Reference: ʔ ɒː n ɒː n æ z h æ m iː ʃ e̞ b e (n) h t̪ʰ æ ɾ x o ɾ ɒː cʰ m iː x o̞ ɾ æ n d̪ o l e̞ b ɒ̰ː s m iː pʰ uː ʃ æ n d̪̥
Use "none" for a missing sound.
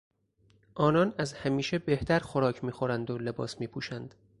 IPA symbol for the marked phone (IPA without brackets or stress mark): none